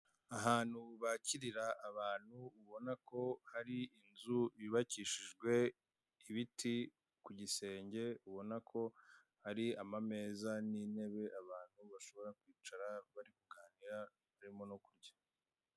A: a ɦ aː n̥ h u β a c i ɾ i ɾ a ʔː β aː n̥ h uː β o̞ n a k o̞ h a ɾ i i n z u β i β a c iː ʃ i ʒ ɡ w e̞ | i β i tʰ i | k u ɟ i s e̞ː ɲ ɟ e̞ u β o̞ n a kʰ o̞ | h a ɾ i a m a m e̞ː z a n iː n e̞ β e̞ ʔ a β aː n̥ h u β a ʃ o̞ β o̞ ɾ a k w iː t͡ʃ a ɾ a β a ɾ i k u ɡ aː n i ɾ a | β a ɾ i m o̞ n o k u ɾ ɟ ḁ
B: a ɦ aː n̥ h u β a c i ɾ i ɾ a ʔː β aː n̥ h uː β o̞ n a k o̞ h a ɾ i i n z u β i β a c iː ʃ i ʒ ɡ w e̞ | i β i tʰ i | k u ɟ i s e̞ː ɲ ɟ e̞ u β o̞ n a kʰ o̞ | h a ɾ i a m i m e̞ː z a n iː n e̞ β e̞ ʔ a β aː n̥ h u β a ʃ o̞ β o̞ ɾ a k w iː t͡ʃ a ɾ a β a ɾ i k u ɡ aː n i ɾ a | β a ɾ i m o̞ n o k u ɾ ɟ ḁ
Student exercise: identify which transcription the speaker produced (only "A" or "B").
A